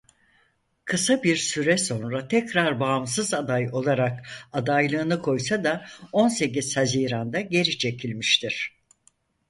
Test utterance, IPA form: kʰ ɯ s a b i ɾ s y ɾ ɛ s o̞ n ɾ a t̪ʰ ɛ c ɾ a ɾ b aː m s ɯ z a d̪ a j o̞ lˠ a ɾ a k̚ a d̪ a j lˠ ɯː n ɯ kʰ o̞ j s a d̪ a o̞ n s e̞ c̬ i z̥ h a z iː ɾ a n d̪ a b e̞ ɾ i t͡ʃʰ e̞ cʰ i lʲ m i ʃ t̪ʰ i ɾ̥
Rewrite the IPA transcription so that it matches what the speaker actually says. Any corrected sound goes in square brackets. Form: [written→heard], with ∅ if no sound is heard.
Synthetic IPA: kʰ ɯ s a b i ɾ s y ɾ ɛ s o̞ n ɾ a t̪ʰ ɛ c ɾ a ɾ b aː m s ɯ z a d̪ a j o̞ lˠ a ɾ a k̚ a d̪ a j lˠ ɯː n ɯ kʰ o̞ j s a d̪ a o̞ n s e̞ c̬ i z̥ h a z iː ɾ a n d̪ a [b→ɟ] e̞ ɾ i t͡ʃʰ e̞ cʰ i lʲ m i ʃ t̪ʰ i ɾ̥